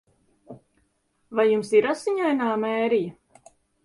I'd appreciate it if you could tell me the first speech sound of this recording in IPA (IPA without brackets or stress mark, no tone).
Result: v